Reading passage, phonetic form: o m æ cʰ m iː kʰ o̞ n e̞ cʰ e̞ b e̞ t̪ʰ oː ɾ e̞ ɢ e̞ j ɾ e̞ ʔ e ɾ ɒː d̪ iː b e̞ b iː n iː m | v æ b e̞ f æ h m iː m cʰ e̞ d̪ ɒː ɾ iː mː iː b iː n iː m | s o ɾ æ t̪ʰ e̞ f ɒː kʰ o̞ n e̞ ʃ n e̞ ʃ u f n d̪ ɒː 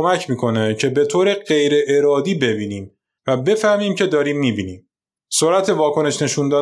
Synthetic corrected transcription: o m æ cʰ m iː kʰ o̞ n e̞ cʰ e̞ b e̞ t̪ʰ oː ɾ e̞ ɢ e̞ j ɾ e̞ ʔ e ɾ ɒː d̪ iː b e̞ b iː n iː m | v æ b e̞ f æ h m iː m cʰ e̞ d̪ ɒː ɾ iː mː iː b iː n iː m | s o ɾ æ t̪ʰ e̞ v ɒː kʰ o̞ n e̞ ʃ n e̞ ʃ u n d̪ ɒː